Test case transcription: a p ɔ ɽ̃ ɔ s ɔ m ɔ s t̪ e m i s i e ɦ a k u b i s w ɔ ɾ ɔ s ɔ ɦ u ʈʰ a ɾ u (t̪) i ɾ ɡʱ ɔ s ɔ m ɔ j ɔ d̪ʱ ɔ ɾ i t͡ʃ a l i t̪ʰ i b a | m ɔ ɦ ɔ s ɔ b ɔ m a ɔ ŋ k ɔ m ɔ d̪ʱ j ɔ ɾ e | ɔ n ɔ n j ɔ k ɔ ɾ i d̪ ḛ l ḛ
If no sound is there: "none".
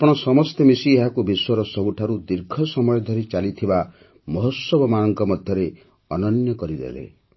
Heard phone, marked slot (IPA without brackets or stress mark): d̪